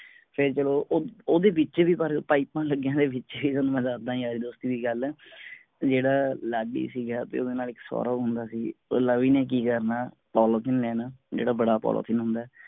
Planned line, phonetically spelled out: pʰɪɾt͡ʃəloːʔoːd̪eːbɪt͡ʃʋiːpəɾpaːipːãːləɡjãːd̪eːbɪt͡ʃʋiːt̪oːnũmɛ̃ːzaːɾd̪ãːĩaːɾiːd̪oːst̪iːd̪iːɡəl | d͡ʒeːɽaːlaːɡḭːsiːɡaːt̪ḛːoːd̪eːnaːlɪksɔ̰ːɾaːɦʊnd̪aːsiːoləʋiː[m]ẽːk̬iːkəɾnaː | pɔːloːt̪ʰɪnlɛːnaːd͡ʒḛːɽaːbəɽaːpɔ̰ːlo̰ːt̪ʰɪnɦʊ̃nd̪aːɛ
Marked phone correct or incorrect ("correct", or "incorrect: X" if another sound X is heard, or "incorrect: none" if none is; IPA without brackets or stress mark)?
incorrect: n